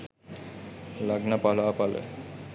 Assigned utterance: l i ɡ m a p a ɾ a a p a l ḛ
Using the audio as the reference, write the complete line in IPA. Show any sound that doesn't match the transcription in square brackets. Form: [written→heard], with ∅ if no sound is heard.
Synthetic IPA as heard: l [i→a] ɡ [m→n] a p a [ɾ→l] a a p a l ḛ